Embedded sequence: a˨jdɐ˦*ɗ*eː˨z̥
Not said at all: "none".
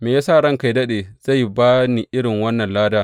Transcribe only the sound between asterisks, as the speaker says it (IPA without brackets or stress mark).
ɗ